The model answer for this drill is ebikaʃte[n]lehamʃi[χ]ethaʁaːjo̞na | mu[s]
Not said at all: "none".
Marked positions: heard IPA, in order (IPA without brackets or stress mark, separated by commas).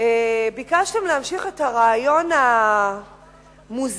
m, χ, z